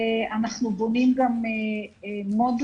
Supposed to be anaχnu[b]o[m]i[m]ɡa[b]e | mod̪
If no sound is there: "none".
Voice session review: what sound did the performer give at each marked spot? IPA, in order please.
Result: b, n, m, m

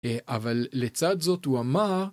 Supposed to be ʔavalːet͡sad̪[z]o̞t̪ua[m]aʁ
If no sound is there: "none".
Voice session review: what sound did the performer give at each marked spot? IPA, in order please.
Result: z, m

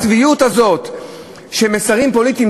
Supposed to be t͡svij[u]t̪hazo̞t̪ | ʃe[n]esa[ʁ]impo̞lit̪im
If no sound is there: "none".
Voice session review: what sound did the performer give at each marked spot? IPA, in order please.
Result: u, m, ʁ

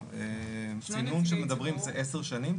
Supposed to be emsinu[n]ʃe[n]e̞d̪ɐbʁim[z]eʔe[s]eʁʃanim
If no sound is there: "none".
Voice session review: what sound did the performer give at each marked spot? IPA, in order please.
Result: n, m, z, s

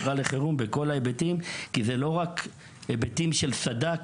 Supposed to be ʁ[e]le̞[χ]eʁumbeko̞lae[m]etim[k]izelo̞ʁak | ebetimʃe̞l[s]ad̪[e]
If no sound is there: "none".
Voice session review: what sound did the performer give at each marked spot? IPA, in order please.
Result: a, χ, b, k, s, a

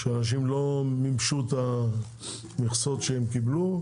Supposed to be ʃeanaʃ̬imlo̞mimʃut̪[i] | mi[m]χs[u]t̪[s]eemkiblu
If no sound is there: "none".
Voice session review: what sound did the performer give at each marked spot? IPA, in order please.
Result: a, none, o, ʃ

